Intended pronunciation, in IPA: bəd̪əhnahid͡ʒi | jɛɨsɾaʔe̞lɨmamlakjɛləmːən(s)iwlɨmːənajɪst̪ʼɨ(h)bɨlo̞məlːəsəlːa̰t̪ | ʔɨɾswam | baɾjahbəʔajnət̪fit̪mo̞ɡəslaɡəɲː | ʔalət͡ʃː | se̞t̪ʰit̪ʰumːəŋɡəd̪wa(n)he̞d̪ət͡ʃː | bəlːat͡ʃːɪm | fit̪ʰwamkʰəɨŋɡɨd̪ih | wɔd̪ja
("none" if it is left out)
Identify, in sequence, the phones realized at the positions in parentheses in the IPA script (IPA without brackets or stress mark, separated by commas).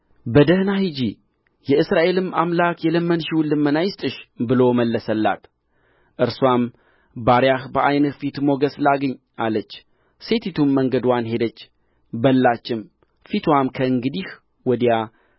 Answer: ʃ, ʃ, n